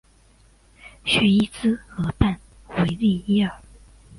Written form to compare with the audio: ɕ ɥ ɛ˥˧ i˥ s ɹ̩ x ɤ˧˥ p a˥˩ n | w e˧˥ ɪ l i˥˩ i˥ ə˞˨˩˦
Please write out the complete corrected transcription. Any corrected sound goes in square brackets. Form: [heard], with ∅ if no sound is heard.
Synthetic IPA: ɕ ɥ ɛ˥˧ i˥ [t͡s] ɹ̩ x ɤ˧˥ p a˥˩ n | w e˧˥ ɪ l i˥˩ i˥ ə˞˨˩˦